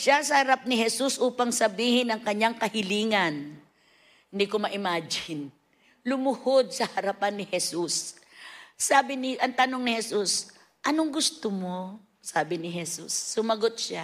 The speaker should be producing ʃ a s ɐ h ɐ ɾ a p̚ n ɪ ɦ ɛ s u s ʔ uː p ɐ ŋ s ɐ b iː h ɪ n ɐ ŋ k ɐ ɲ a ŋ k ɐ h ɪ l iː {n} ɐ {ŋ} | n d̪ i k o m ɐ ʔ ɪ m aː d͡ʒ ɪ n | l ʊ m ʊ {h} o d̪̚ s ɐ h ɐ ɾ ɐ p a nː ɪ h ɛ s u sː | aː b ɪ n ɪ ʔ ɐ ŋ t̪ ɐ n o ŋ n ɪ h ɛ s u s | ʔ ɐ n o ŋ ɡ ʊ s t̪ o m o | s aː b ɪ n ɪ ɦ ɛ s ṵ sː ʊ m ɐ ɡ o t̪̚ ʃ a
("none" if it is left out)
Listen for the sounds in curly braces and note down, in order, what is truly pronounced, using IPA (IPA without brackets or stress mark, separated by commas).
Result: ŋ, n, h